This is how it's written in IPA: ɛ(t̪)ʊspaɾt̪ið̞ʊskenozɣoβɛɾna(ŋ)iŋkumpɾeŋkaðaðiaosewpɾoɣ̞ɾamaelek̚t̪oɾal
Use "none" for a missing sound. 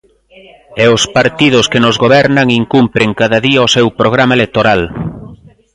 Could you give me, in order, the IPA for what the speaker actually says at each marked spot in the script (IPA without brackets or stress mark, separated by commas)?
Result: none, ŋ